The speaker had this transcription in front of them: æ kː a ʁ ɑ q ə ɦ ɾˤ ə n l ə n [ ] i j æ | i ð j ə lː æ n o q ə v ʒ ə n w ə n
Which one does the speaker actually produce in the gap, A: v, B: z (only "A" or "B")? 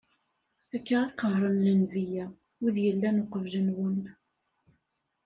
A